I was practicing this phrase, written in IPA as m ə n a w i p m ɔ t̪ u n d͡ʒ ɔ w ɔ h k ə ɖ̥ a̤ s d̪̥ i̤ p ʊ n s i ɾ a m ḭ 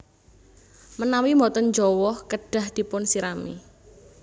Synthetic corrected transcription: m ə n a w i m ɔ t̪ ɔ n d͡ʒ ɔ w ɔ h k ə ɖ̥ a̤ h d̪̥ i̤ p ʊ n s i ɾ a m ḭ